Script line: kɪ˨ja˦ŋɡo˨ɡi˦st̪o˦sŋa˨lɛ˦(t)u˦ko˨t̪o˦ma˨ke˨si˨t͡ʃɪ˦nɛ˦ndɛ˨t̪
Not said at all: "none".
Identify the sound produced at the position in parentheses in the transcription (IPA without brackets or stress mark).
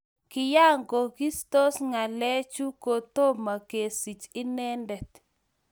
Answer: t͡ʃ